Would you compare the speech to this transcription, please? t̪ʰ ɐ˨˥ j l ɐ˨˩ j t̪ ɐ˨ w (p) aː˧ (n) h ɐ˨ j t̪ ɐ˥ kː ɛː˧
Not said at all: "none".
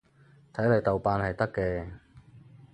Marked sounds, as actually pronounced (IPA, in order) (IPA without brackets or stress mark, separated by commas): p, n